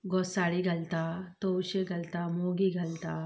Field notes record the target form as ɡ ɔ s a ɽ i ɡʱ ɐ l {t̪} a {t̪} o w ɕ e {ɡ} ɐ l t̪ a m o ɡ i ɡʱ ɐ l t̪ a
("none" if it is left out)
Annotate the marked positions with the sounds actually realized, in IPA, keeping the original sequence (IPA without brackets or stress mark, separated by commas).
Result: t̪, t̪, ɡ